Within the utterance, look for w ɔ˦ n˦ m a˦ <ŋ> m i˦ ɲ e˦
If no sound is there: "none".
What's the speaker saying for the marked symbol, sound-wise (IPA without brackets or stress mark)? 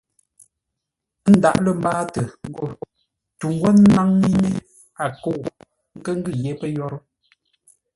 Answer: ŋ